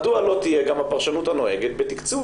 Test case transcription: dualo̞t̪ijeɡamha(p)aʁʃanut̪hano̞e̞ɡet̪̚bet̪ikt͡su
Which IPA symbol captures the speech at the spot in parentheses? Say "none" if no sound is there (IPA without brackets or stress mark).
p